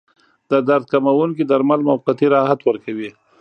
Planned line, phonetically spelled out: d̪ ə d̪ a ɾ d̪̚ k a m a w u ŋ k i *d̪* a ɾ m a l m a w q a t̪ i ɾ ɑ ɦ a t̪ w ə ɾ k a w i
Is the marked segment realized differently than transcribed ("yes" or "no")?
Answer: no